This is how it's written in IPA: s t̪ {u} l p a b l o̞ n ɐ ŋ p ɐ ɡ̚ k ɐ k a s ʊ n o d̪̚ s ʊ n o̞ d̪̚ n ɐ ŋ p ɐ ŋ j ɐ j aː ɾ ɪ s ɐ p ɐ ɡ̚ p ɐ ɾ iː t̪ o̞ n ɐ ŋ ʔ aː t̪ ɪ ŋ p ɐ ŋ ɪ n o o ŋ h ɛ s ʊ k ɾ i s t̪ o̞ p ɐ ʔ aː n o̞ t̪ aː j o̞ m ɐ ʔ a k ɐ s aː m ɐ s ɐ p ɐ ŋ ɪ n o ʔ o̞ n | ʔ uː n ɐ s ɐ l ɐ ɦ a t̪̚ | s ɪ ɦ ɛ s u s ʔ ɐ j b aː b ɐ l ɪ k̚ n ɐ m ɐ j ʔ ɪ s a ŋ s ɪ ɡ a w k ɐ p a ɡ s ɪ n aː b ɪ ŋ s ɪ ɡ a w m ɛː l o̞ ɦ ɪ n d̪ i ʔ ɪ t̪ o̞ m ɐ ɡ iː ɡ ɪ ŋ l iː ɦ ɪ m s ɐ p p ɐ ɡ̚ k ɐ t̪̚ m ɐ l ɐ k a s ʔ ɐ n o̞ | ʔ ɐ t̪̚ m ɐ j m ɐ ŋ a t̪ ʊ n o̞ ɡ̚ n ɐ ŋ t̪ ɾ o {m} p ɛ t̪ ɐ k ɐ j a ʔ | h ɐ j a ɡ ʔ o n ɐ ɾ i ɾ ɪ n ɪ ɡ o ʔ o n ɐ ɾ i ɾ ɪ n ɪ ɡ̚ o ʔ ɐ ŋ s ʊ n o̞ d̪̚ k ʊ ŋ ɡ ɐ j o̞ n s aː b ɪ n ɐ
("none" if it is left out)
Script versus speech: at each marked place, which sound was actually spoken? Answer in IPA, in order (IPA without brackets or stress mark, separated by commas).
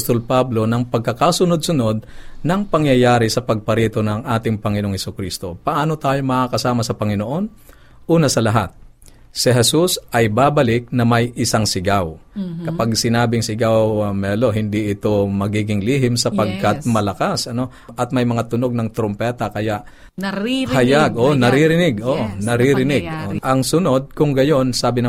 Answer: o, m